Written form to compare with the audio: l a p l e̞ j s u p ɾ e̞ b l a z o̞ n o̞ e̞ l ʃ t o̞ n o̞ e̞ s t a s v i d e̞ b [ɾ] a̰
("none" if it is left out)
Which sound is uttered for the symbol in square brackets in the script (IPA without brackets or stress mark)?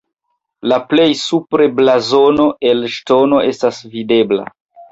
l